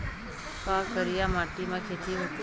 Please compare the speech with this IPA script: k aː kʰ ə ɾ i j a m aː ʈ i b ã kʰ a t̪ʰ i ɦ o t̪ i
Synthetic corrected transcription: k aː k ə ɾ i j a m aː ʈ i m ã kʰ e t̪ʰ i ɦ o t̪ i